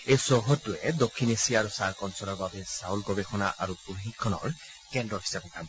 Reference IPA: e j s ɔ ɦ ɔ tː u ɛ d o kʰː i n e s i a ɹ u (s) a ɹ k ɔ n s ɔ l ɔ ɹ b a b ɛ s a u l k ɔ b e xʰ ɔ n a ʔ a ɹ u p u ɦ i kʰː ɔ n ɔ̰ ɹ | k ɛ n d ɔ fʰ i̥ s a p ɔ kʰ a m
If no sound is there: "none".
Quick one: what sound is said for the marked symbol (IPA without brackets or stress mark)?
s